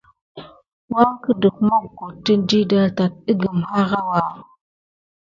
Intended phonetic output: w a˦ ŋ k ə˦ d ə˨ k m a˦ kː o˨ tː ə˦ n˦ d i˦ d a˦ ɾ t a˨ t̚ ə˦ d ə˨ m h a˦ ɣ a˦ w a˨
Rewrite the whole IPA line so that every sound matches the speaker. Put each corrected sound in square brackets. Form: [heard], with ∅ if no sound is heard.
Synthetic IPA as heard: w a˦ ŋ k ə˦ d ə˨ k m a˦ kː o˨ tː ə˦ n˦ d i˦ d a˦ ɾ t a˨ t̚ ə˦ [ɡ] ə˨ m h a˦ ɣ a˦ w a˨